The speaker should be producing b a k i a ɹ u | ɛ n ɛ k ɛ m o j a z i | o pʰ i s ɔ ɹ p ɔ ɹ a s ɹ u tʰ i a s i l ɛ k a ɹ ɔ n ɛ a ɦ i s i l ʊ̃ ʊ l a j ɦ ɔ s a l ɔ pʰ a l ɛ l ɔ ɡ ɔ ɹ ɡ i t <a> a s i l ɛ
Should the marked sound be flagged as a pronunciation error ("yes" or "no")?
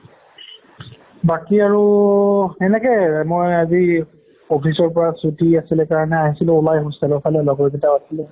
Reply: no